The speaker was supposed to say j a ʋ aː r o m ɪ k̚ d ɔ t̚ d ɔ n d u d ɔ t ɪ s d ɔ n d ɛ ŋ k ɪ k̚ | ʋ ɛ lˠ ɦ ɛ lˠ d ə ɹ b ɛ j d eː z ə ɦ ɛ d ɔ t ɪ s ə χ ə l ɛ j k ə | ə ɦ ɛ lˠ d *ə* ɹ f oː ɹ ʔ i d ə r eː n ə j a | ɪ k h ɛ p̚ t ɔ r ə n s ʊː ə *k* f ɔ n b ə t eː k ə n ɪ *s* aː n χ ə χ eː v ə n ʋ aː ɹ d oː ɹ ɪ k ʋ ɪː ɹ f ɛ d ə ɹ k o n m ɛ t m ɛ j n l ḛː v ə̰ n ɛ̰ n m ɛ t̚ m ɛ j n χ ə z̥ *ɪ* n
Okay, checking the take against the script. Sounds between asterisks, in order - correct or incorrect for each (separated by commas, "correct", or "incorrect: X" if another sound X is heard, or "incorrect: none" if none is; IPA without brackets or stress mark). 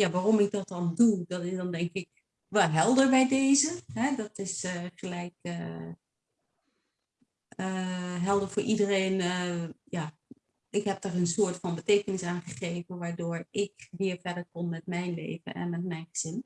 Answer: correct, incorrect: t, correct, correct